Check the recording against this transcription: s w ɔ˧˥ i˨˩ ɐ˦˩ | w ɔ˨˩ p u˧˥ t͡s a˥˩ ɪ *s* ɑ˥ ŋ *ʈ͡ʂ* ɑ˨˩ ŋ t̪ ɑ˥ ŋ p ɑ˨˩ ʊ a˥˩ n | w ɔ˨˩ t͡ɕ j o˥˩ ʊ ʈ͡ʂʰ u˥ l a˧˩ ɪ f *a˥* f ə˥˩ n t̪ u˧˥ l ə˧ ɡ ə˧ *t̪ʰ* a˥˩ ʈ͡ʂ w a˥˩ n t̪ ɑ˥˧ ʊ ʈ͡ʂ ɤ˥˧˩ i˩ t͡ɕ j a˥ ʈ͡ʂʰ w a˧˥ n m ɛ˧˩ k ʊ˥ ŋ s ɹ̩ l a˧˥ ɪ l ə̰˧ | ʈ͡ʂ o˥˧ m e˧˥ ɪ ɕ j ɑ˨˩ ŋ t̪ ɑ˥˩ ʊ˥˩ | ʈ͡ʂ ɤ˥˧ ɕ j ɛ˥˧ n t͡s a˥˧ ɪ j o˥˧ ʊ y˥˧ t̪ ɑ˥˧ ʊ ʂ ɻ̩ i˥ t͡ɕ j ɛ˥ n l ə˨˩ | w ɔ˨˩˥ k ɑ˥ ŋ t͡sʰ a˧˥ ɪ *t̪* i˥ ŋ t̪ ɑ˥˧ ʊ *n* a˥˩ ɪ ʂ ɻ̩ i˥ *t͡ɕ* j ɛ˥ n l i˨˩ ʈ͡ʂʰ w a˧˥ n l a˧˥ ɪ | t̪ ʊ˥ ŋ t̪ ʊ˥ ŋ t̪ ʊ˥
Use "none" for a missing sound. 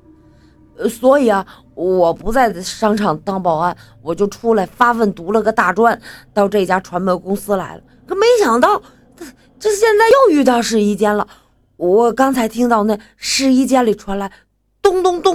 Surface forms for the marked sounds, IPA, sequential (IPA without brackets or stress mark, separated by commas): ʂ, ʈ͡ʂʰ, a˥, t̪, t̪ʰ, n, t͡ɕ